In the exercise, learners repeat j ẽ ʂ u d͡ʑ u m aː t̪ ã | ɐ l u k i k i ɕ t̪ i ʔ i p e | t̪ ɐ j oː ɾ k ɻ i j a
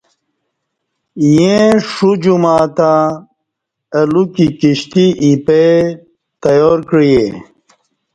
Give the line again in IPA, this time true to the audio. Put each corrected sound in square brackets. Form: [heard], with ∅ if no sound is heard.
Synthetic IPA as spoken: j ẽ ʂ u d͡ʑ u m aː t̪ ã | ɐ l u k i k i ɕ t̪ i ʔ i p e | t̪ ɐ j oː ɾ k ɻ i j [e]

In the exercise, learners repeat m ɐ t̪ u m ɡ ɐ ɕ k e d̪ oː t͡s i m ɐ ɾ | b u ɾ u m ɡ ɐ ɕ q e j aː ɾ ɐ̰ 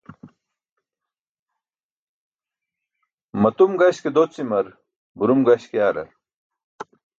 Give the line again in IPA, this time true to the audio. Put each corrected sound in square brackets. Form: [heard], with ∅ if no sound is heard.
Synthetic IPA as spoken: m ɐ t̪ u m ɡ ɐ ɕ k e d̪ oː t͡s i m ɐ ɾ | b u ɾ u m ɡ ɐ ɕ [k] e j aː ɾ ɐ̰

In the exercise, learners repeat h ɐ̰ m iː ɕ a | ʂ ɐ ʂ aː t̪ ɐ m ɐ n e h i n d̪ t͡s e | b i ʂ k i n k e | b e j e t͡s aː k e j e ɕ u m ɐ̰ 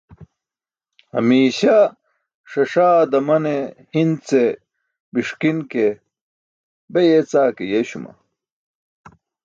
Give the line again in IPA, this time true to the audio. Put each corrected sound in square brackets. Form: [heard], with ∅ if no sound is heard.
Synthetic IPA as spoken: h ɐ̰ m iː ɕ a | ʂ ɐ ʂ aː [d̪] ɐ m ɐ n e h i n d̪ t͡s e | b i ʂ k i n k e | b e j e t͡s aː k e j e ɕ u m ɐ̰

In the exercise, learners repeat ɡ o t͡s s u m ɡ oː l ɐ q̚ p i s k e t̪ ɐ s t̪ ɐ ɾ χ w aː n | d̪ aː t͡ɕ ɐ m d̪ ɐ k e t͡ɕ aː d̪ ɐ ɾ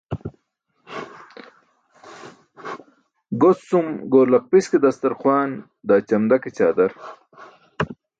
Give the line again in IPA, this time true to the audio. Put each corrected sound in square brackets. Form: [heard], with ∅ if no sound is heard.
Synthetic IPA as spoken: ɡ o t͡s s u m ɡ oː l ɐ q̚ p i s k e [d̪] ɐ s t̪ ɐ ɾ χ w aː n | d̪ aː t͡ɕ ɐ m d̪ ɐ k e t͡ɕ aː d̪ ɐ ɾ

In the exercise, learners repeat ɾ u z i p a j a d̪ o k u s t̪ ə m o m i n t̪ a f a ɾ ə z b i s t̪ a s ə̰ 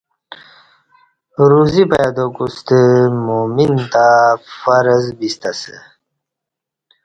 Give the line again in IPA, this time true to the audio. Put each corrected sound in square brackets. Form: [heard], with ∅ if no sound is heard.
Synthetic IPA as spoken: ɾ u z i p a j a d̪ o k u s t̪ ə m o m i n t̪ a f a ɾ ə z b i s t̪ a s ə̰

